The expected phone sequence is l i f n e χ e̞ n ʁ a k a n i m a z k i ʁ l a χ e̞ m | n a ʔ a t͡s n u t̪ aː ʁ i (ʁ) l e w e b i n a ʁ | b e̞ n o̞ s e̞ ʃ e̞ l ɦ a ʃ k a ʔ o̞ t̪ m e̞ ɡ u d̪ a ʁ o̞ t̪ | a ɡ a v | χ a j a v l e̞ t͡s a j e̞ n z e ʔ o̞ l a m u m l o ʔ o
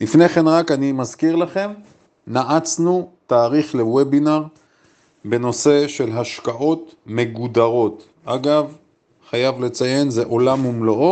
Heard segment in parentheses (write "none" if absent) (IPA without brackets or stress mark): χ